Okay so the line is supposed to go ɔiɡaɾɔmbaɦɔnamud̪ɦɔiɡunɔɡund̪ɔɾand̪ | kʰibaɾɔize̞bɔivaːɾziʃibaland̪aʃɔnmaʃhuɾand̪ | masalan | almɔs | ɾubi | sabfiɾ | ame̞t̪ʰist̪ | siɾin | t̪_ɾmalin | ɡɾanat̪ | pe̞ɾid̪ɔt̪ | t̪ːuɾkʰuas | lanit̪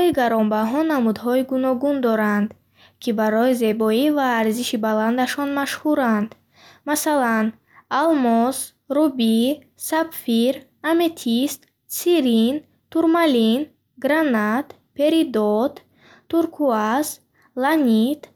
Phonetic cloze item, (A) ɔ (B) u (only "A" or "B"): B